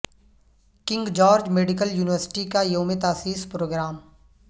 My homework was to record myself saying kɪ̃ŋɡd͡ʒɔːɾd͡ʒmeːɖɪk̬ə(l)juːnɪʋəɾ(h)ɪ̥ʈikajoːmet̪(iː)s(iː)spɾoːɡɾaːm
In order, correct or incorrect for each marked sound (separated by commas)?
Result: correct, incorrect, incorrect, correct